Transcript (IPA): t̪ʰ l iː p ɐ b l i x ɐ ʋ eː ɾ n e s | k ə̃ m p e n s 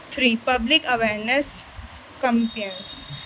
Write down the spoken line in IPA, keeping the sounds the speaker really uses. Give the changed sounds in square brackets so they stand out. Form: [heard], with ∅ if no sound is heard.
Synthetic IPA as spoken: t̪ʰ [ɾ] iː p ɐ b l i [k] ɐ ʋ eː ɾ n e s | k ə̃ m p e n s